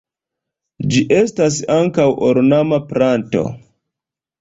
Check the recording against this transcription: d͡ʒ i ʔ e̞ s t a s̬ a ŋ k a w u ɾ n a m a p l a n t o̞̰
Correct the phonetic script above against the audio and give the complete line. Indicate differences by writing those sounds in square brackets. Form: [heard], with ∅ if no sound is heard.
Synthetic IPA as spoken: d͡ʒ i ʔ e̞ s t a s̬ a ŋ k a w [o] ɾ n a m a p [ɾ] a n t o̞̰